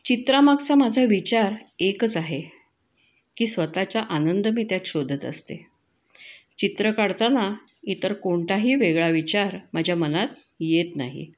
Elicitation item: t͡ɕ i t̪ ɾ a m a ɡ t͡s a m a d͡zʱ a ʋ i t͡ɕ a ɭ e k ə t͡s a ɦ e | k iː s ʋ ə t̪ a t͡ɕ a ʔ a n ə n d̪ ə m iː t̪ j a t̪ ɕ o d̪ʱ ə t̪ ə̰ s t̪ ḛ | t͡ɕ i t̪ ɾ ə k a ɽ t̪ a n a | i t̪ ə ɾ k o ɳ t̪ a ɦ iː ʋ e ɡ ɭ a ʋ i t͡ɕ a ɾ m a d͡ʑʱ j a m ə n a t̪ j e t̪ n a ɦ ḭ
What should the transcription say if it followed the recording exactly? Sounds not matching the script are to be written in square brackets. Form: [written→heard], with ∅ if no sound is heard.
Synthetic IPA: t͡ɕ i t̪ ɾ a m a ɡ t͡s a m a d͡zʱ a ʋ i t͡ɕ a [ɭ→ɾ] e k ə t͡s a ɦ e | k iː s ʋ ə t̪ a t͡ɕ a ʔ a n ə n d̪ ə m iː t̪ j a t̪ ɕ o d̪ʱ ə t̪ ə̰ s t̪ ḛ | t͡ɕ i t̪ ɾ ə k a ɽ t̪ a n a | i t̪ ə ɾ k o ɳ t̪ a ɦ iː ʋ e ɡ ɭ a ʋ i t͡ɕ a ɾ m a d͡ʑʱ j a m ə n a t̪ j e t̪ n a ɦ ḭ

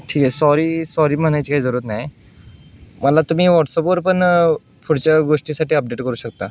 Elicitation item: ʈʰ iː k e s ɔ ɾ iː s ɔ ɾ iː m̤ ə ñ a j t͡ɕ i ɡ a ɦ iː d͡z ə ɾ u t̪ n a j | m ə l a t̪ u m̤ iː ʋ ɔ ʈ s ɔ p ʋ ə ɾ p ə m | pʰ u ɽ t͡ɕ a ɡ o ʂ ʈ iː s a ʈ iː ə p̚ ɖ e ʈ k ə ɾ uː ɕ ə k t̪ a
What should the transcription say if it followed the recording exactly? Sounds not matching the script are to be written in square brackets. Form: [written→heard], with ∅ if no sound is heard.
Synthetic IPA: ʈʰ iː k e s ɔ ɾ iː s ɔ ɾ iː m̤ ə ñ a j t͡ɕ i [ɡ→k] a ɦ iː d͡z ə ɾ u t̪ n a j | m ə l a t̪ u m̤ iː ʋ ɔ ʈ s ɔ p ʋ ə ɾ p ə [m→ɳ] | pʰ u ɽ t͡ɕ a ɡ o ʂ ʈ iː s a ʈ iː ə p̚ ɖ e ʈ k ə ɾ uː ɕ ə k t̪ a

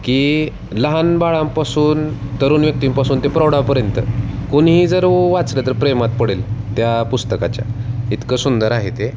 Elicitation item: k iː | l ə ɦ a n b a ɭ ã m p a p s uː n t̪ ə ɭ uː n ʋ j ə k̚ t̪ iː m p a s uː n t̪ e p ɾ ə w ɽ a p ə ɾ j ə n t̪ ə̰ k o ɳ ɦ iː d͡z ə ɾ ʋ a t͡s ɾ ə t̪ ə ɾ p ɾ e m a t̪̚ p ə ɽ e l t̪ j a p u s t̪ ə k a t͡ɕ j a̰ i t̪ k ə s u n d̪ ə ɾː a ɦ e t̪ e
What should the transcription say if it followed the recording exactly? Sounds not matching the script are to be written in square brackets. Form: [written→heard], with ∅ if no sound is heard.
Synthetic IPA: k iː | l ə ɦ a n b a ɭ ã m p a [p→∅] s uː n t̪ ə [ɭ→ɾ] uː n ʋ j ə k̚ t̪ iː m p a s uː n t̪ e p ɾ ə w ɽ a p ə ɾ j ə n t̪ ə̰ k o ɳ ɦ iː d͡z ə ɾ ʋ a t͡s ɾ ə t̪ ə ɾ p ɾ e m a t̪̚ p ə ɽ e l t̪ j a p u s t̪ ə k a t͡ɕ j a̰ i t̪ k ə s u n d̪ ə [ɾː→ɾ] a ɦ e t̪ e

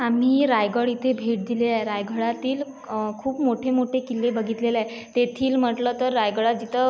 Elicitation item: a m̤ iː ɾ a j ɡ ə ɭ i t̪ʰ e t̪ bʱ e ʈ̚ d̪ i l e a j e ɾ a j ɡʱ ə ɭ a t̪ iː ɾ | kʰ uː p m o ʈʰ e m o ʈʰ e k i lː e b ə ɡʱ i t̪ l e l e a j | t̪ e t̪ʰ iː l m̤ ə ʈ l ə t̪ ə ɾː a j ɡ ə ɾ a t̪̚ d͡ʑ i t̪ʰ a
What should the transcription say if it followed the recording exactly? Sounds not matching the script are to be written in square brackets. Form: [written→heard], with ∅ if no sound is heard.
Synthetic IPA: a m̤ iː ɾ a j ɡ ə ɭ i t̪ʰ e [t̪→∅] bʱ e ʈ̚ d̪ i l e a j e ɾ a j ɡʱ ə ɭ a t̪ iː [ɾ→l] | kʰ uː p m o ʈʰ e m o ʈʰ e k i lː e b ə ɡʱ i t̪ l e l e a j | t̪ e t̪ʰ iː l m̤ ə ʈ l ə t̪ ə ɾː a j ɡ ə [ɾ→ɭ] a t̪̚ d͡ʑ i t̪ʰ [a→ə]

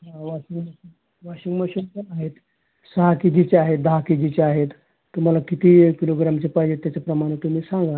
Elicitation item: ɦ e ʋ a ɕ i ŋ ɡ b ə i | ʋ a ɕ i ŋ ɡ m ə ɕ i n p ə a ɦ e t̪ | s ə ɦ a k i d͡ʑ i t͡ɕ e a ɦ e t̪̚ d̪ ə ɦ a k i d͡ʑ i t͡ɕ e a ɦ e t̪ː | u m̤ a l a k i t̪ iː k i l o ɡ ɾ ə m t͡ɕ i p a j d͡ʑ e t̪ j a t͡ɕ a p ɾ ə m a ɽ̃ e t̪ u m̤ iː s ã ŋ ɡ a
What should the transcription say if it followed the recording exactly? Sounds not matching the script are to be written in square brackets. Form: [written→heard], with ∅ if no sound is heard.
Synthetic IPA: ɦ [e→a] ʋ a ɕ i ŋ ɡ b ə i | ʋ a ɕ i ŋ ɡ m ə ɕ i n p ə a ɦ e t̪ | s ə ɦ a k i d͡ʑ i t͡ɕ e a ɦ e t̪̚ d̪ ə ɦ a k i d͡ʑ i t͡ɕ e a ɦ e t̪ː | u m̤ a l a k i t̪ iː k i l o ɡ ɾ [ə→a] m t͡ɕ [i→e] p a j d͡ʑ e t̪ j a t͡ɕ a p ɾ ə m a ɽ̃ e t̪ u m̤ iː s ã ŋ ɡ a

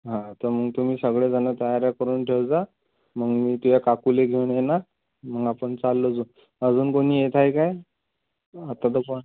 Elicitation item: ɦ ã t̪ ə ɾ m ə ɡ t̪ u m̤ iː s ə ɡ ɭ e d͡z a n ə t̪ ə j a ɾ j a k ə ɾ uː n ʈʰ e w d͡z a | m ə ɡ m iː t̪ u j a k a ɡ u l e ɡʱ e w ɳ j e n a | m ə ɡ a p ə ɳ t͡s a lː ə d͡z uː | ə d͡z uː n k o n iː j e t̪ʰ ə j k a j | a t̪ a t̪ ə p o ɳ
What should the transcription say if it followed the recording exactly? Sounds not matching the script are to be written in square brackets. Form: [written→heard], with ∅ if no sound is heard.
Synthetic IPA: ɦ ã t̪ ə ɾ m ə ɡ t̪ u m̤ iː s ə ɡ ɭ e d͡z a n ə t̪ ə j a ɾ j a k ə ɾ uː n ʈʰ e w d͡z a | m ə ɡ m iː t̪ u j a k a [ɡ→k] u l e ɡʱ e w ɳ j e n a | m ə ɡ a p ə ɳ t͡s a lː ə d͡z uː | ə d͡z uː n k o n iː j e t̪ʰ [ə→a] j k a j | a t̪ a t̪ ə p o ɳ

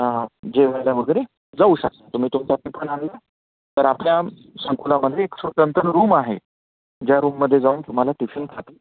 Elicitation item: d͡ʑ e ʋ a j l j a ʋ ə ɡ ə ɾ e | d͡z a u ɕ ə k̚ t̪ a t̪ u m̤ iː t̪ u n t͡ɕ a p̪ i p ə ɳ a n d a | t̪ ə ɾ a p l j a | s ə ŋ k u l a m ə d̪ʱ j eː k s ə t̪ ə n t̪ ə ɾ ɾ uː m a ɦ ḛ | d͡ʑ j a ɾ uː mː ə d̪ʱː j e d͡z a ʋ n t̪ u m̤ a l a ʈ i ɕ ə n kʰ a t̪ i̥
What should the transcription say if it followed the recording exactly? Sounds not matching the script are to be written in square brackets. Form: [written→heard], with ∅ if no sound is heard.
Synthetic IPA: d͡ʑ e ʋ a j l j a ʋ ə ɡ ə ɾ e | d͡z a u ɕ ə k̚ t̪ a t̪ u m̤ iː t̪ u [n→m] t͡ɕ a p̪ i p ə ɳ a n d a | t̪ ə ɾ a p l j a | s ə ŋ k u l a m ə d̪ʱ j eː k s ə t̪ ə n t̪ ə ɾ ɾ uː m a ɦ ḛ | d͡ʑ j a ɾ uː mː ə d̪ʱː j e d͡z a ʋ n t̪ u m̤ a l a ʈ i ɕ ə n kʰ a t̪ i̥

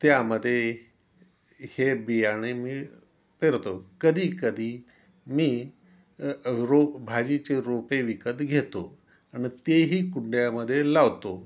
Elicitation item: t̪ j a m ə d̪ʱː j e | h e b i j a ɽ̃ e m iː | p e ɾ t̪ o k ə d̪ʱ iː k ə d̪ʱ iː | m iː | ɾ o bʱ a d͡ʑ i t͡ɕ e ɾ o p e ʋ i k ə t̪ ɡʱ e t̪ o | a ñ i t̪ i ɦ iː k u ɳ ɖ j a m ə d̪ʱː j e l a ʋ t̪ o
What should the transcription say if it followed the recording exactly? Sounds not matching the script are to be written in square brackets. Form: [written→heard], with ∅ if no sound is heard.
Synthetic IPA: t̪ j a m ə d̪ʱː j e | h e b i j a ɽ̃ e m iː | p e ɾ t̪ o k ə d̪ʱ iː k ə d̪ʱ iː | m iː | ɾ o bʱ a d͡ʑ i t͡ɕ e ɾ o p e ʋ i k ə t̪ ɡʱ e t̪ o | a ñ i t̪ [i→e] ɦ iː k u ɳ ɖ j a m ə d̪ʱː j e l a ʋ t̪ o

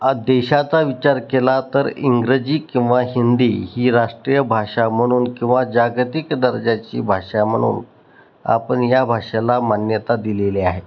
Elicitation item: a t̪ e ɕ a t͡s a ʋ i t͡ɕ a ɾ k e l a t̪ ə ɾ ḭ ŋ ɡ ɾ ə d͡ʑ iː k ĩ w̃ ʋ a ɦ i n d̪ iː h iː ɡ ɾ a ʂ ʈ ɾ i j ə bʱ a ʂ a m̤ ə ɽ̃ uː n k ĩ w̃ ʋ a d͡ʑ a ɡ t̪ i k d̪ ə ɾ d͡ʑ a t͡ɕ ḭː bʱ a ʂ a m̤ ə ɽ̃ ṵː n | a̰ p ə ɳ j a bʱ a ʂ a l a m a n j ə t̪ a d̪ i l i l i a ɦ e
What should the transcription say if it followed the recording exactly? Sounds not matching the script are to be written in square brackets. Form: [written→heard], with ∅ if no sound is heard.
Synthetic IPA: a [t̪→d̪] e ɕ a t͡s a ʋ i t͡ɕ a ɾ k e l a t̪ ə ɾ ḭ ŋ ɡ ɾ ə d͡ʑ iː k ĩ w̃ ʋ a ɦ i n d̪ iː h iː [ɡ→∅] ɾ a ʂ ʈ ɾ i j ə bʱ a ʂ a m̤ ə ɽ̃ uː n k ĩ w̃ ʋ a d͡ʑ a ɡ t̪ i k d̪ ə ɾ d͡ʑ a t͡ɕ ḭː bʱ a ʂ a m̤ ə ɽ̃ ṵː n | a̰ p ə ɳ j a bʱ a ʂ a l a m a n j ə t̪ a d̪ i l [i→e] l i a ɦ e

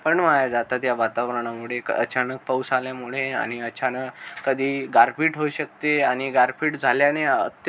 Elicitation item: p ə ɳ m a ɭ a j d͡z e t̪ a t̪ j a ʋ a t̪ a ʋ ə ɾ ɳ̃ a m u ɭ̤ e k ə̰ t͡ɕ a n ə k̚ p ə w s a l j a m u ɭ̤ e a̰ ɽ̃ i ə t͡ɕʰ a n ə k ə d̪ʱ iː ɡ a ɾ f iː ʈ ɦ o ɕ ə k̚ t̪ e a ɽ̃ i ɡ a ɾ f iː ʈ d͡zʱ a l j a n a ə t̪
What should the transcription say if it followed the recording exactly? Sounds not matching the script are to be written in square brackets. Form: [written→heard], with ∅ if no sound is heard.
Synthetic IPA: p ə ɳ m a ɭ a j d͡z [e→a] t̪ a t̪ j a ʋ a t̪ a ʋ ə ɾ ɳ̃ a m u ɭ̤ e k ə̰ t͡ɕ a n ə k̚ p ə w s a l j a m u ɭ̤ e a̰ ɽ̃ i ə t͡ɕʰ a n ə k ə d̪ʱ iː ɡ a ɾ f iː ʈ ɦ o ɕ ə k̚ t̪ e a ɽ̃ i ɡ a ɾ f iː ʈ d͡zʱ a l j a n [a→e] ə t̪

